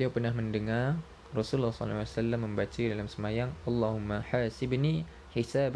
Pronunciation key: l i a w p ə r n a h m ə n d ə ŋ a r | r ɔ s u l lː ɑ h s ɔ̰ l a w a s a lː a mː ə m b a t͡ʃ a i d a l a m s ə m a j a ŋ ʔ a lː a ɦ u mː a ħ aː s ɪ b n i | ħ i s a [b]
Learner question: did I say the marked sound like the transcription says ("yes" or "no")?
yes